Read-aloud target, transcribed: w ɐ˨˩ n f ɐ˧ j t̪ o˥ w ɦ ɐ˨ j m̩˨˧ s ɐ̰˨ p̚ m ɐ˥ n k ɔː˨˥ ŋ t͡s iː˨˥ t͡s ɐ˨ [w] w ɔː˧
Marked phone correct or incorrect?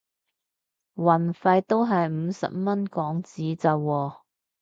correct